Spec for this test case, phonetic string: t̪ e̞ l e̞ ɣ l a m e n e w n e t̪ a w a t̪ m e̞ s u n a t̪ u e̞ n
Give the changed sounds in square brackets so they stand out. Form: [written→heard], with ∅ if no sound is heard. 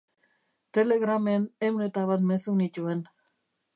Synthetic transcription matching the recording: t̪ e̞ l e̞ ɣ [l→ɾ] a m e n e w n e t̪ a [w→β] a t̪ m e̞ s u n [a→i] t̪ u e̞ n